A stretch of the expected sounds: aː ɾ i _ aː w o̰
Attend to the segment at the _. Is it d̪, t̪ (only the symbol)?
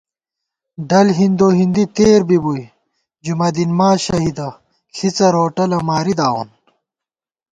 d̪